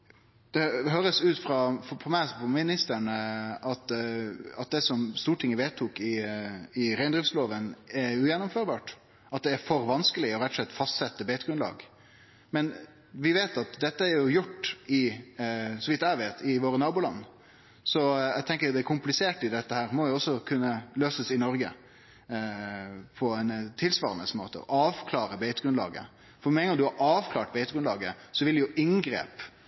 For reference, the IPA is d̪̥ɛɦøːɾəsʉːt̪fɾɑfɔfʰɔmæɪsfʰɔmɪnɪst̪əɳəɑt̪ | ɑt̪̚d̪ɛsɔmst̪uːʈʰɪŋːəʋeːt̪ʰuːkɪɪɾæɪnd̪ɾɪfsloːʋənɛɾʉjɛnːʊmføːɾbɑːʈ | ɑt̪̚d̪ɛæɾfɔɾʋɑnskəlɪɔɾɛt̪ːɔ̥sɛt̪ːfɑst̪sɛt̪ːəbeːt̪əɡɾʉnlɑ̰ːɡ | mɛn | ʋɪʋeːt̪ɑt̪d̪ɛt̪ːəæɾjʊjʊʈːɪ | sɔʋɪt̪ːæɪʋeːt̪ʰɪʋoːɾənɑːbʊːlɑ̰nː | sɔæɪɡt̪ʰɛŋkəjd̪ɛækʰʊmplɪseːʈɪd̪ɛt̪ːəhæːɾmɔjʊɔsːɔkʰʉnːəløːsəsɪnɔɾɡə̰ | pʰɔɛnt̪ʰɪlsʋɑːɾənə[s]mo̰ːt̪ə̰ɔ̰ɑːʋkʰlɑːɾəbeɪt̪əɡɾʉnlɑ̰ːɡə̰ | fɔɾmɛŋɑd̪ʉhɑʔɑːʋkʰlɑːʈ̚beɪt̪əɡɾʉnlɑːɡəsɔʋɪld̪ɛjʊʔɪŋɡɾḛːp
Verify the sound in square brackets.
correct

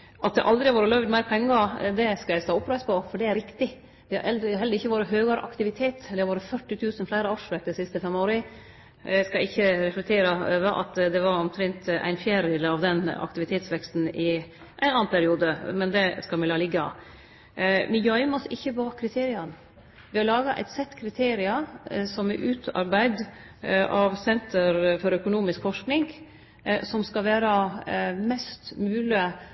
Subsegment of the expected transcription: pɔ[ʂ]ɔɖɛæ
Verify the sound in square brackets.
incorrect: f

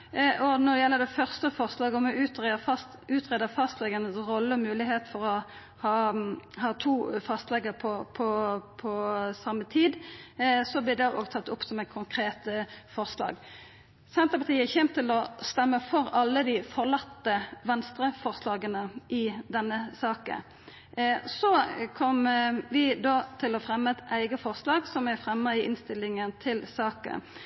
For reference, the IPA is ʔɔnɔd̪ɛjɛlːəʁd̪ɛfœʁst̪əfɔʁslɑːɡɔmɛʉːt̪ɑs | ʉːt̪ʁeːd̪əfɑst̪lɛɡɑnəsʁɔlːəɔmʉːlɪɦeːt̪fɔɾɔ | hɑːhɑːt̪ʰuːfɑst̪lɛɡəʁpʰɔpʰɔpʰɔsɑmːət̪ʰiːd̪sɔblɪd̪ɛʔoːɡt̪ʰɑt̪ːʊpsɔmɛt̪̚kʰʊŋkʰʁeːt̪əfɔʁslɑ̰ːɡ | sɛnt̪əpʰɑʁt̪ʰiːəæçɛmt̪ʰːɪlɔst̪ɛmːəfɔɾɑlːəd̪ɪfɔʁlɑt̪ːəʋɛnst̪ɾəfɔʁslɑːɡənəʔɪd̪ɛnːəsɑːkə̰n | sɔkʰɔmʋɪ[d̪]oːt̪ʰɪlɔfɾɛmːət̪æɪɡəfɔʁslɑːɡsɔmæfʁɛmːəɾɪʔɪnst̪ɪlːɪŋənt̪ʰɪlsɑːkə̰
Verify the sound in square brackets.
correct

